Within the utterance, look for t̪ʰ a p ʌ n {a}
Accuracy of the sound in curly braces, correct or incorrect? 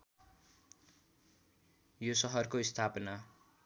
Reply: correct